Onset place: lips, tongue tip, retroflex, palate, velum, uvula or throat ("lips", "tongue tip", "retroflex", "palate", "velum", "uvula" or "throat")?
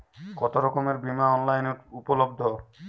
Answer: velum